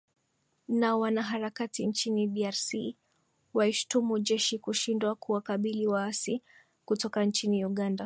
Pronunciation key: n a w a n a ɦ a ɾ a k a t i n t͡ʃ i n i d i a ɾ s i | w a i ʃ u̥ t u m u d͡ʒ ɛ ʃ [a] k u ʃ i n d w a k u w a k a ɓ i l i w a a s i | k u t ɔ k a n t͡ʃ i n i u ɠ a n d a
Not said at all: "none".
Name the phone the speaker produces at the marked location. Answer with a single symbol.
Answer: i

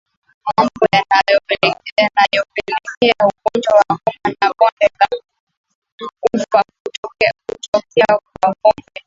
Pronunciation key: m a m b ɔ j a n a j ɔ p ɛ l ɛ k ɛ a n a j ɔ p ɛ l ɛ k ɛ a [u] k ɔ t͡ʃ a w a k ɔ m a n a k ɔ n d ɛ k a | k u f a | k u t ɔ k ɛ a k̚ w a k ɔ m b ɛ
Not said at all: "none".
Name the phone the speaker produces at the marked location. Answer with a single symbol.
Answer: u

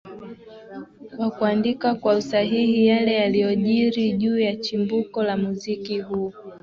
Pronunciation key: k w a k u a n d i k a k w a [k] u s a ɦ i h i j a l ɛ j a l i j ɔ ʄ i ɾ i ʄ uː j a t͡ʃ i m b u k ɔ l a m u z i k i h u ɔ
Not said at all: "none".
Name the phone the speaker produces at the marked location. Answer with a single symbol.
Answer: none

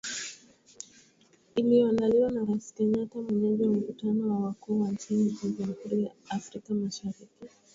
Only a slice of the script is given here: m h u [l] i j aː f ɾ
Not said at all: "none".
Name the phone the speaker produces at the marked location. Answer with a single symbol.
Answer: ɾ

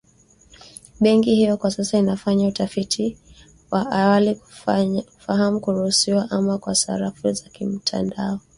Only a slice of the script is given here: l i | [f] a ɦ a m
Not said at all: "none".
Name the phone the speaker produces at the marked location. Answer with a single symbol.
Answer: f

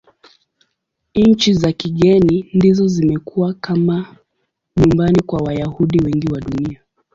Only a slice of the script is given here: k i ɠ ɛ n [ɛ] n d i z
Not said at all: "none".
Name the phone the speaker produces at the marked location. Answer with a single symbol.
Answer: i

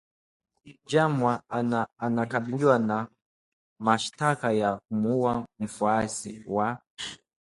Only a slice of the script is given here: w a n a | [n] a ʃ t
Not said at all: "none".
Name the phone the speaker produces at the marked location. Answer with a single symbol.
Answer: m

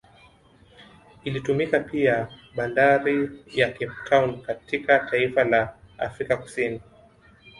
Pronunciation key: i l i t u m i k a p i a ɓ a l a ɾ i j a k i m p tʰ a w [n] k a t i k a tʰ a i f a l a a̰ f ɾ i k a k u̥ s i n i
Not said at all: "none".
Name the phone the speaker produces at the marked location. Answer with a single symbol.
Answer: n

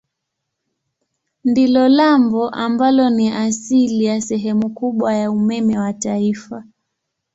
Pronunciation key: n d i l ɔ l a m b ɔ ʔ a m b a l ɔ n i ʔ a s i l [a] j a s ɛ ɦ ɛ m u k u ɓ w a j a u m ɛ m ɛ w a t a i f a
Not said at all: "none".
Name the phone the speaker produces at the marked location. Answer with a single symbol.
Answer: i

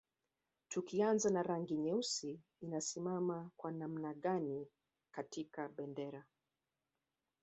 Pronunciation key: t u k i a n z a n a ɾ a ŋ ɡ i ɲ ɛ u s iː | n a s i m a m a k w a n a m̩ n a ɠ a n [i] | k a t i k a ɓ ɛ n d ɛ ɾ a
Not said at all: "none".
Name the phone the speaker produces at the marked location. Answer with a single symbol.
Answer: i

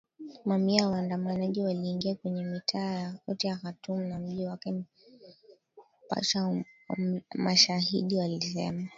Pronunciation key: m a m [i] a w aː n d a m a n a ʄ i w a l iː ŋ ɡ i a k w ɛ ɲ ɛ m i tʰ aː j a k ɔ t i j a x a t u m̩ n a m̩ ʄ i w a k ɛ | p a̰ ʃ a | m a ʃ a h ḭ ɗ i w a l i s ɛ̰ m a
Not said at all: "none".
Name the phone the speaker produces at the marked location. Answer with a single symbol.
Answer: i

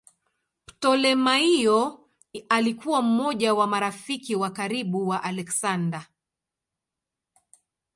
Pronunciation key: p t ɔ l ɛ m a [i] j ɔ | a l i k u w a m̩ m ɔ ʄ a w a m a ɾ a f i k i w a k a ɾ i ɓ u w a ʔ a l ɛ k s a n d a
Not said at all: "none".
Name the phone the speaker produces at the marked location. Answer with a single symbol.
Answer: i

